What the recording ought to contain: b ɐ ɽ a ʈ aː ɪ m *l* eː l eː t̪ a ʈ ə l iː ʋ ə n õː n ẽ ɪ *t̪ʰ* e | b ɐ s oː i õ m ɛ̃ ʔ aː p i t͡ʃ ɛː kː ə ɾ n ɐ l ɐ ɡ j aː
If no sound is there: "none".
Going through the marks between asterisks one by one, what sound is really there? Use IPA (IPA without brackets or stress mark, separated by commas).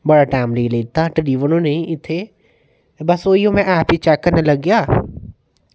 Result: l, t̪ʰ